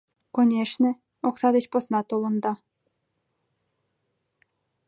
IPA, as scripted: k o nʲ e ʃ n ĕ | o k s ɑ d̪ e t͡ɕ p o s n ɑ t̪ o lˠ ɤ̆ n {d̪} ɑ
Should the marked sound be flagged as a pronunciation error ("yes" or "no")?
no